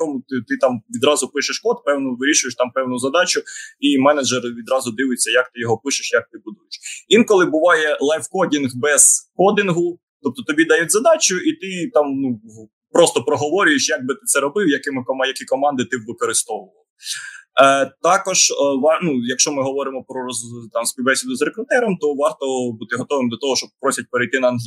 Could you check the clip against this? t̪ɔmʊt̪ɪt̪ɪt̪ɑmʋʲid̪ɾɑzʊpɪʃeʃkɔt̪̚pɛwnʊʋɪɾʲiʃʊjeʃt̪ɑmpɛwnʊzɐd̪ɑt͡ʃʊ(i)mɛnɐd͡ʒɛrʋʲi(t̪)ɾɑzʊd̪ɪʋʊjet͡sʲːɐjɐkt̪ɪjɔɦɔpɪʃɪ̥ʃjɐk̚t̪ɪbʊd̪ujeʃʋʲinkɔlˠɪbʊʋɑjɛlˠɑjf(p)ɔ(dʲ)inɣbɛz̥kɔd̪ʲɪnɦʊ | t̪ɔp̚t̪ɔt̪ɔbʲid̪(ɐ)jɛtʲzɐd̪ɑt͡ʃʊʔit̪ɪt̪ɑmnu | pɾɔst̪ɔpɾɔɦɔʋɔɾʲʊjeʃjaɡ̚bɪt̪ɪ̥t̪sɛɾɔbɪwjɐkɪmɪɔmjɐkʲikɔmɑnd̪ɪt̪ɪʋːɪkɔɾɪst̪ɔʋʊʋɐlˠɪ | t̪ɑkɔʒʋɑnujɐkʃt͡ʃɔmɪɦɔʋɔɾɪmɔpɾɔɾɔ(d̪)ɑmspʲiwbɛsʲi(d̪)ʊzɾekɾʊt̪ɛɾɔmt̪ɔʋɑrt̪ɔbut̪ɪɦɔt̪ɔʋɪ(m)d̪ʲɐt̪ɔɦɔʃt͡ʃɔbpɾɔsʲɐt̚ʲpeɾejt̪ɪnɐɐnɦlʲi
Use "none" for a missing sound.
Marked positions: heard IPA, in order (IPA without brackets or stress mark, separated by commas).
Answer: i, d̪, k, dʲ, ɐ, t̪, d̪, m